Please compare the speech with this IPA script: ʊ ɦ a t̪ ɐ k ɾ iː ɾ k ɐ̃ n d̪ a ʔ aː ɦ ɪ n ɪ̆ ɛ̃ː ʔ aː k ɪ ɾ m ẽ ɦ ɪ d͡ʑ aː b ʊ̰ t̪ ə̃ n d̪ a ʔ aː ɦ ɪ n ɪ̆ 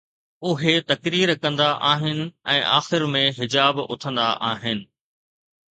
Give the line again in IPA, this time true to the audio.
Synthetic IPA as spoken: ʊ ɦ e t̪ ɐ k ɾ iː ɾ k ɐ̃ n d̪ a ʔ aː ɦ ɪ n ɪ̆ ɛ̃ː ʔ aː x ɪ ɾ m ẽ ɦ ɪ d͡ʑ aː b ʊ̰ t̪ʰ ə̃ n d̪ a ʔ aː ɦ ɪ n ɪ̆